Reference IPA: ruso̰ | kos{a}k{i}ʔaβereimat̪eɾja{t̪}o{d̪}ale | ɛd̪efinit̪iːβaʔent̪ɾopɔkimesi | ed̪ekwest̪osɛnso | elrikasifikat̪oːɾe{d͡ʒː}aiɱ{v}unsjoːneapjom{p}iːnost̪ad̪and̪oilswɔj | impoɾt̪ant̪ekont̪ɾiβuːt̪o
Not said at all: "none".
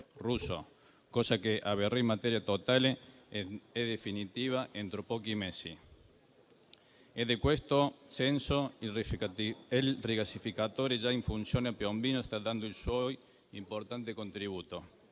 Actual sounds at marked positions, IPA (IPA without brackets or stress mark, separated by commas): a, e, t̪, t̪, d͡ʒ, f, b